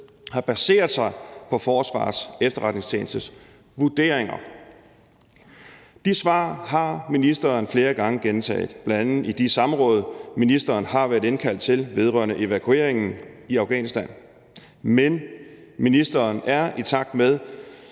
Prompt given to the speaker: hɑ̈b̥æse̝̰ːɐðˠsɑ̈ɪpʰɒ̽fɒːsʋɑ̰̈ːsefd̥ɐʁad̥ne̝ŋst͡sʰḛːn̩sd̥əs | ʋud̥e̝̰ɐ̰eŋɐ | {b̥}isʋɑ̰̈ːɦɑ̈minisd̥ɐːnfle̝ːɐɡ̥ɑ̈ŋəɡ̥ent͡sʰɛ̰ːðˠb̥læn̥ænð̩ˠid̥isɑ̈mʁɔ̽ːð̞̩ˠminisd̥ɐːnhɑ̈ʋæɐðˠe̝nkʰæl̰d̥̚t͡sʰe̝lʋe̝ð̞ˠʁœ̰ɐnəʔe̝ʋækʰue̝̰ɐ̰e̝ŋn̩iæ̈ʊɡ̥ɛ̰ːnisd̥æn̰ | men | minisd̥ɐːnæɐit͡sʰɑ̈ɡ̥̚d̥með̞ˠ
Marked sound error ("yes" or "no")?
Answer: yes